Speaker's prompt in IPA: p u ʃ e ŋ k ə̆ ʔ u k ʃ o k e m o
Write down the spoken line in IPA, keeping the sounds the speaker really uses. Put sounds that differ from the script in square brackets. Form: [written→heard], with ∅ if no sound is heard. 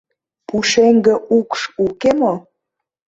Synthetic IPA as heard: p u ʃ e ŋ [k→ɡ] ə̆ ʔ u k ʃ [o→u] k e m o